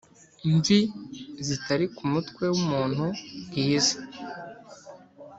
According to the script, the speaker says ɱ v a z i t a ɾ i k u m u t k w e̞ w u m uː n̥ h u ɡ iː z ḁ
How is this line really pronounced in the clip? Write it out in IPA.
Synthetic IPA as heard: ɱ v i z i t a ɾ i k u m u t k w e̞ w u m uː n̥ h u ɡ iː z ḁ